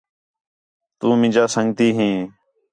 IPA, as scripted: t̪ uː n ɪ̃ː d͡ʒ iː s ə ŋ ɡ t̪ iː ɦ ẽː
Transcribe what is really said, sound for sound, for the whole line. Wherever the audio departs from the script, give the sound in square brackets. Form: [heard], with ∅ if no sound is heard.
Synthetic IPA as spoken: t̪ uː [m] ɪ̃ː d͡ʒ [aː] s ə ŋ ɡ t̪ iː ɦ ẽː

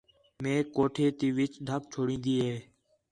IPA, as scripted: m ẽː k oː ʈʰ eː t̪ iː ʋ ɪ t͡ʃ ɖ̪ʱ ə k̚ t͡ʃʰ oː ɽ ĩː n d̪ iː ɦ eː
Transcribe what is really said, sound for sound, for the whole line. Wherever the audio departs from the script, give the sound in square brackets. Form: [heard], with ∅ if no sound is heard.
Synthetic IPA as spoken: m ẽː k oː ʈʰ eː t̪ iː ʋ ɪ t͡ʃ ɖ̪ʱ ə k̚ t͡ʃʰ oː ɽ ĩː n d̪ iː ɦ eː

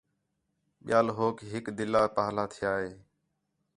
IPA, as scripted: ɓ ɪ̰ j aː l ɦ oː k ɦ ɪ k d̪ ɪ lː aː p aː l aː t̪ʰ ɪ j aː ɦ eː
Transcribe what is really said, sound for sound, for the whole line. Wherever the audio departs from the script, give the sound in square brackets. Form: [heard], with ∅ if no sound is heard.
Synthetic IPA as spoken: ɓ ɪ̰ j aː l ɦ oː k ɦ ɪ k d̪ ɪ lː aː p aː l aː t̪ʰ ɪ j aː ɦ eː

